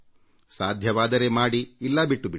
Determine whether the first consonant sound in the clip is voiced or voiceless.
voiceless